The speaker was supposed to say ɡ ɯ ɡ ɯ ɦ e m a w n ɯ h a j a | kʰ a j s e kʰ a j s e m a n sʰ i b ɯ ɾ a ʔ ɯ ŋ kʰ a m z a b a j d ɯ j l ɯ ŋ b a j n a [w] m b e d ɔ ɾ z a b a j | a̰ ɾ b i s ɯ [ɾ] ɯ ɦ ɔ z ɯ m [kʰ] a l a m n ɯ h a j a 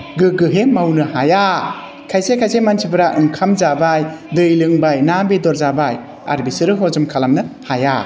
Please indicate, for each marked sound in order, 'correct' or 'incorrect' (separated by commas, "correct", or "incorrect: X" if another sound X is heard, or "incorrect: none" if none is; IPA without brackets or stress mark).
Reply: incorrect: none, correct, correct